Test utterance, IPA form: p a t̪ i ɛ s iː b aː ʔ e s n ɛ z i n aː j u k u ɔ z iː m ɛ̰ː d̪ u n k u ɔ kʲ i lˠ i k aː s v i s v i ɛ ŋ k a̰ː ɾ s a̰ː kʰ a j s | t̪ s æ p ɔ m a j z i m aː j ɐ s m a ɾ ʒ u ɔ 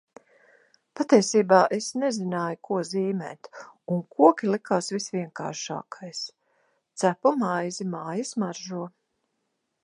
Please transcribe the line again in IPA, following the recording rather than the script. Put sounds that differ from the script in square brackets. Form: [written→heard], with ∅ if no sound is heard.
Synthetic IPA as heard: p a t̪ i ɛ s iː b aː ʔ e s n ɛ z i n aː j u k u ɔ z iː m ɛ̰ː [d̪→t̪] u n k u ɔ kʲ i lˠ i k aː s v i s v i ɛ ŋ k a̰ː ɾ [s→ʃ] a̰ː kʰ a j s | t̪ s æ p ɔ m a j z i m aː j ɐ s m a ɾ ʒ u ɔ